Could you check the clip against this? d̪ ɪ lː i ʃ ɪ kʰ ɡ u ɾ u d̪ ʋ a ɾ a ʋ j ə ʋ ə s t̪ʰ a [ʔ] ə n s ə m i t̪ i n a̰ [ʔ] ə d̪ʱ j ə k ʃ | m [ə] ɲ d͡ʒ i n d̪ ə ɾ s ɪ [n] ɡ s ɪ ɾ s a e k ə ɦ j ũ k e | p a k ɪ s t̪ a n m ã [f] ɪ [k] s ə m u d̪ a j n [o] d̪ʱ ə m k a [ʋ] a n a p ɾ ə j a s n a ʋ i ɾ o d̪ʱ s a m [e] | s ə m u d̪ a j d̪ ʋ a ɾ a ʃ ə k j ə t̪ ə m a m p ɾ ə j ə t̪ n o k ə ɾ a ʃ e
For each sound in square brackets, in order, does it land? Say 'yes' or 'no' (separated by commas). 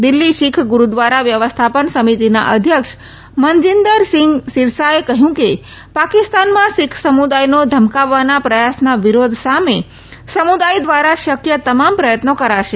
no, yes, yes, no, no, no, yes, no, yes